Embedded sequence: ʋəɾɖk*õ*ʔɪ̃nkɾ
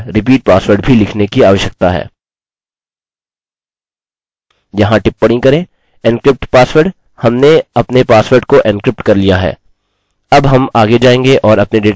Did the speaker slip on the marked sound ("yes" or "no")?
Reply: yes